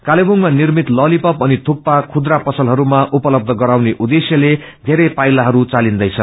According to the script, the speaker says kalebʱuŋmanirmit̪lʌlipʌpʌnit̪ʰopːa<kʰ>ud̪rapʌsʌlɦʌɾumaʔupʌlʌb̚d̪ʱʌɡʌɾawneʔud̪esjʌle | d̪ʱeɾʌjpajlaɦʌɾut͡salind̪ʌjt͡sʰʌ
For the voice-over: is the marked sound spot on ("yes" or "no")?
yes